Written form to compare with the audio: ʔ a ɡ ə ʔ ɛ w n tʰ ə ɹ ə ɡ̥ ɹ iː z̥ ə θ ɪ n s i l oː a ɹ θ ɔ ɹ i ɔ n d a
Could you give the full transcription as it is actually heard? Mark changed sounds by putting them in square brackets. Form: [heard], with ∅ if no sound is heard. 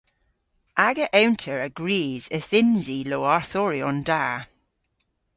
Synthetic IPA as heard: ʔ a ɡ ə ʔ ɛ w n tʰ ə ɹ ə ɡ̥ ɹ iː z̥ ə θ ɪ n [z] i l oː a ɹ θ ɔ ɹ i ɔ n d a